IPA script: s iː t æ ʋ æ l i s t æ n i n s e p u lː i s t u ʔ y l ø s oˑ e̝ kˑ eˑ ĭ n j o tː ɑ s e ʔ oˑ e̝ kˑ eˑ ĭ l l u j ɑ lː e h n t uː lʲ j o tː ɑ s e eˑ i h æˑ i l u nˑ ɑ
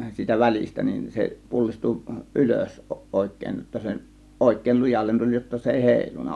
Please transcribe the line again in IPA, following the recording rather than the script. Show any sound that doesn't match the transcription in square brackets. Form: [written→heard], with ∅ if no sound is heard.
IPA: s iː t æ ʋ æ l i s t æ n i n s e p u lː i s t u ʔ y l ø s oˑ e̝ kˑ eˑ ĭ n j o tː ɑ s e ʔ oˑ e̝ kˑ eˑ ĭ l l u j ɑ lː e [h→∅] n t [uː→u] lʲ j o tː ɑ s e eˑ i h [æˑ→eˑ] i l u nˑ ɑ